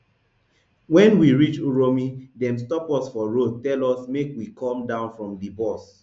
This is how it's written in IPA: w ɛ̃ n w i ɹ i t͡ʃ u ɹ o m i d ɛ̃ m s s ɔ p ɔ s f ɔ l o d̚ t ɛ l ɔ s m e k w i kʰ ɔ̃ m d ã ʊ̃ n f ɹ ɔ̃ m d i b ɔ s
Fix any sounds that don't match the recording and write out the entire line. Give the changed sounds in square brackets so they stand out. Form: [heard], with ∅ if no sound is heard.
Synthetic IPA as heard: w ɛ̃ n w i ɹ i t͡ʃ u ɹ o m i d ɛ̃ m s [t] ɔ p ɔ s f ɔ [ɹ] o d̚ t ɛ l ɔ s m e k w i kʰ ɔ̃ m d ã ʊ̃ n f ɹ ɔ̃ m d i b ɔ s